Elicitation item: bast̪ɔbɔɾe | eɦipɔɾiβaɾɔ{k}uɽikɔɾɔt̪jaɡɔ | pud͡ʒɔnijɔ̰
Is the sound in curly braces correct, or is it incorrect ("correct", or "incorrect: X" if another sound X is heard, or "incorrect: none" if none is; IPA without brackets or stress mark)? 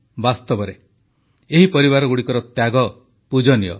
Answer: incorrect: ɡ